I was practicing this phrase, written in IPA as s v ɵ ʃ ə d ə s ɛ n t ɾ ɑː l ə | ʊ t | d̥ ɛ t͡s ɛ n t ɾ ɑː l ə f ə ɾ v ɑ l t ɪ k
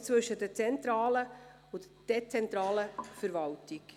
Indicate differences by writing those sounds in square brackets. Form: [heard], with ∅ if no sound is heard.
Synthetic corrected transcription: [t͡s] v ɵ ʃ ə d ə [t͡s] ɛ n t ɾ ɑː l ə | ʊ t | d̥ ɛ t͡s ɛ n t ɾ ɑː l ə f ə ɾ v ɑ l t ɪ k